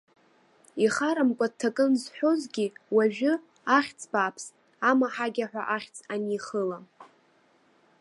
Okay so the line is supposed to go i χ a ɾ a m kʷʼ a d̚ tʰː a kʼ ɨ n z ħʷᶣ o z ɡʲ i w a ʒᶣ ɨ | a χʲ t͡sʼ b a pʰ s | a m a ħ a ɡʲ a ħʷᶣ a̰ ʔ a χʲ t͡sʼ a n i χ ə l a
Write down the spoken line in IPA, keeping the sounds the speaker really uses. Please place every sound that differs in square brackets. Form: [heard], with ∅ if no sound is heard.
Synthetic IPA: i χ a ɾ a m kʷʼ a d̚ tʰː a kʼ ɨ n z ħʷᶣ o z ɡʲ i w a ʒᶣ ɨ | a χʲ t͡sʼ b a pʰ s | a m a ħ a ɡʲ a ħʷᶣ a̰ ʔ a χʲ t͡sʼ a n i χ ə l a

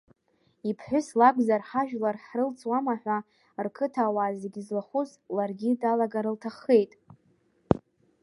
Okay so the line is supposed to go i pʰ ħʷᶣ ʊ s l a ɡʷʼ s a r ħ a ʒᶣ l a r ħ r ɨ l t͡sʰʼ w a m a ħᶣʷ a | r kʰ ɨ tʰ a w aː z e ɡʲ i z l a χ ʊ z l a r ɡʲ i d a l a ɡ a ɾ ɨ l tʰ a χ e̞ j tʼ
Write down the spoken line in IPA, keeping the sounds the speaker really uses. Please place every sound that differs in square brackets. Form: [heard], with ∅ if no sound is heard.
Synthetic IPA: i pʰ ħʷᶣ ʊ s l a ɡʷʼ [z] a r ħ a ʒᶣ l a r ħ r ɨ l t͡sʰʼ w a m a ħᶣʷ a | r kʰ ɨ tʰ a w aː z e ɡʲ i z l a χ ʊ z l a r ɡʲ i d a l a ɡ a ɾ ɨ l tʰ a χ e̞ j tʼ

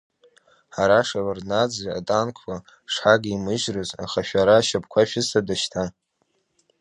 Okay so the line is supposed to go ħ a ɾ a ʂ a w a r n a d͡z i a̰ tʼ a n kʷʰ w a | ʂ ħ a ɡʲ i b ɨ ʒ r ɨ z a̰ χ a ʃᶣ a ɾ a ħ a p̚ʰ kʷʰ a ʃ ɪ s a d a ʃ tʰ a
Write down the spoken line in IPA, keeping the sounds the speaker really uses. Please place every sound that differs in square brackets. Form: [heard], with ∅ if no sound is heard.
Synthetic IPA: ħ a ɾ a ʂ a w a r n a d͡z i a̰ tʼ a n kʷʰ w a | ʂ ħ a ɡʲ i [m] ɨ ʒ r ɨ z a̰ χ a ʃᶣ a ɾ a [ʃ] a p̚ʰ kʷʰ a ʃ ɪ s a d a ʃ tʰ a

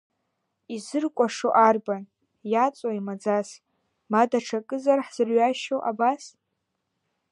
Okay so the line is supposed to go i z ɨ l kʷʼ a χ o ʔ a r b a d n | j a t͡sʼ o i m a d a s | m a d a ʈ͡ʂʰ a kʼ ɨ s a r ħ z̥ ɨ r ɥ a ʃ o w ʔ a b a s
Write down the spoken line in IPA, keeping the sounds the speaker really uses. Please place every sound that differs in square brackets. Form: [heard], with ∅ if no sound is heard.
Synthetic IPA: i z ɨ [r] kʷʼ a [ʂ] o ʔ a r b a [∅] n | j a t͡sʼ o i m a [d͡z] a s | m a d a ʈ͡ʂʰ a kʼ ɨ [z] a r ħ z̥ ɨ r ɥ a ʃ o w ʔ a b a s

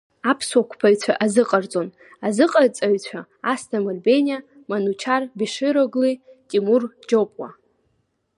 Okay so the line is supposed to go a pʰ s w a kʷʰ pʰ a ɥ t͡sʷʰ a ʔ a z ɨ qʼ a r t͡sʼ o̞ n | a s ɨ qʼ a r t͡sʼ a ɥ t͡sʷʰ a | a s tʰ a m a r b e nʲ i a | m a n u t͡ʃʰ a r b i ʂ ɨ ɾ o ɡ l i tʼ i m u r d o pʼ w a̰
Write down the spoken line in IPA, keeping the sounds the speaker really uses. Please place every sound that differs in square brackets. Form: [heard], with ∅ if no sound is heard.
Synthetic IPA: a pʰ s w a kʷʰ pʰ a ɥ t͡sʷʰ a ʔ a z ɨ qʼ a r t͡sʼ o̞ n | a [z] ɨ qʼ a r t͡sʼ a ɥ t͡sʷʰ a | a s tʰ a m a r b e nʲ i a | m a n u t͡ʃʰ a r b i ʂ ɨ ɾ o ɡ l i tʼ i m u r [d͡ʒ] o pʼ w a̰

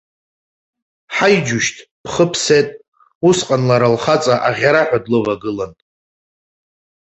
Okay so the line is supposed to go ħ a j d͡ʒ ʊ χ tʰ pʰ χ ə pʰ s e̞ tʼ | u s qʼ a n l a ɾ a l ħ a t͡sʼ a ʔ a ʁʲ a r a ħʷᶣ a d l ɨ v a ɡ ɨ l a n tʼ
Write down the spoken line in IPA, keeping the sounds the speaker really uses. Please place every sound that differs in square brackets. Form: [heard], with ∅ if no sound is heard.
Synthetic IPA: ħ a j d͡ʒ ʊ [ʃ] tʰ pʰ χ ə pʰ s e̞ tʼ | u s qʼ a n l a ɾ a l [χ] a t͡sʼ a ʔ a ʁʲ a [ɾ] a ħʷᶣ a d l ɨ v a ɡ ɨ l a n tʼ

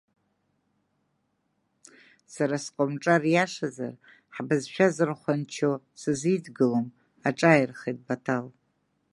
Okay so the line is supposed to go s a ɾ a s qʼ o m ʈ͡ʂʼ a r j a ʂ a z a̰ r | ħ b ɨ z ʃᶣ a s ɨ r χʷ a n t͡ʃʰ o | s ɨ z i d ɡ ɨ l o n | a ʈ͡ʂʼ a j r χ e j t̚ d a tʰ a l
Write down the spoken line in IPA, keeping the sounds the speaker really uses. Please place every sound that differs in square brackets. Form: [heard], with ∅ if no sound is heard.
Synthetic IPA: s a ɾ a s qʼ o m ʈ͡ʂʼ a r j a ʂ a z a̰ r | ħ b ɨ z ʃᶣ a [z] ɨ r χʷ a n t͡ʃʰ o | s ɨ z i d ɡ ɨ l o [m] | a ʈ͡ʂʼ a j r χ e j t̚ [b] a tʰ a l

